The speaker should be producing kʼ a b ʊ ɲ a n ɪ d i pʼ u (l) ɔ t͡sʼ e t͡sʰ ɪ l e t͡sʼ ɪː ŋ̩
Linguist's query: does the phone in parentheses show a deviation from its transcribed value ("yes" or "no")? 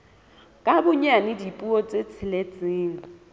yes